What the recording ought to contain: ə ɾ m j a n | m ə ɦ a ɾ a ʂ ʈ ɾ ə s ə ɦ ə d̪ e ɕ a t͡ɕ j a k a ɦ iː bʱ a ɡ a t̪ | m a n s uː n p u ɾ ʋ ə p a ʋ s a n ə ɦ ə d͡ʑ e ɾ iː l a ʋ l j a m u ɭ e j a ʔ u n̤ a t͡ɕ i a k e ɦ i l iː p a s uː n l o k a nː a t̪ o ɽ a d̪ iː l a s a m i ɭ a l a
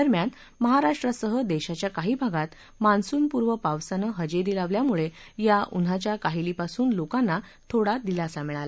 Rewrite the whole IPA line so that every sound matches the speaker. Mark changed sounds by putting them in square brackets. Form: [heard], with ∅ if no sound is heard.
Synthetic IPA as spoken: ə ɾ m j a n | m ə ɦ a ɾ a ʂ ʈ ɾ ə s ə ɦ ə d̪ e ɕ a t͡ɕ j a k a ɦ iː bʱ a ɡ a t̪ | m a n s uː n p u ɾ ʋ ə p a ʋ s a n ə ɦ ə d͡ʑ e ɾ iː l a ʋ l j a m u ɭ e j a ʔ u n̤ a t͡ɕ [j] a k [a] ɦ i l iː p a s uː n l o k a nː a [t̪ʰ] o ɽ a d̪ [i] l a s a m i ɭ a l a